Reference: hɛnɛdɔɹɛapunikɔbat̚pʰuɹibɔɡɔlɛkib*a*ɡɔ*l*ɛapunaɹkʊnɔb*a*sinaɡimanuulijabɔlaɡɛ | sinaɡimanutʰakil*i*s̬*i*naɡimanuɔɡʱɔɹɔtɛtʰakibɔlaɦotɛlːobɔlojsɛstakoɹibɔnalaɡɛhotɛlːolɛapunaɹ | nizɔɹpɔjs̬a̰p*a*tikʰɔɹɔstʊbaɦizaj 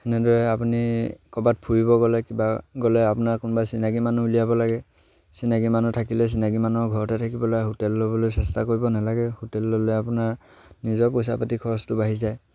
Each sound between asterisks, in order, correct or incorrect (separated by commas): correct, correct, correct, incorrect, correct, correct